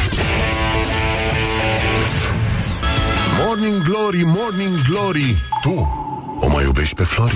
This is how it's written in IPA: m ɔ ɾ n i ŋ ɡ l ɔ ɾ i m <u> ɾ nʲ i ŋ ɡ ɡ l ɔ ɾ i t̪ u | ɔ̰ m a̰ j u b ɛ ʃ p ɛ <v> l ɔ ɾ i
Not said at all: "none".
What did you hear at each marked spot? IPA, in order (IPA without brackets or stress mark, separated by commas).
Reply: ɔ, f